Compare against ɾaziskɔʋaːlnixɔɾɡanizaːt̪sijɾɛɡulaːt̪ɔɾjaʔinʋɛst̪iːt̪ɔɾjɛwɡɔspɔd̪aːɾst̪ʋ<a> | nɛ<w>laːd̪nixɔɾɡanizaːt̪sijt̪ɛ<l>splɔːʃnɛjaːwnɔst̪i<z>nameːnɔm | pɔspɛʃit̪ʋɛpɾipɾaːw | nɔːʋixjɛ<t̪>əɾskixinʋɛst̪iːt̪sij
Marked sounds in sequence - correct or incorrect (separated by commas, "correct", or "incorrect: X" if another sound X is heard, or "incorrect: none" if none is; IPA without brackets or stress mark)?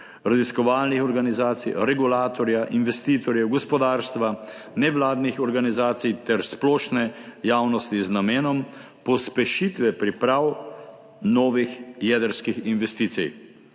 correct, incorrect: ʋ, incorrect: ɾ, correct, incorrect: d̪